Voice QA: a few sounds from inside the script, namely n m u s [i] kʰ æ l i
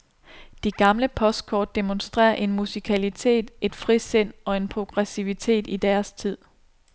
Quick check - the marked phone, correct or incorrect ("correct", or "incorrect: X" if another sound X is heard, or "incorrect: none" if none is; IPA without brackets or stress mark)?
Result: correct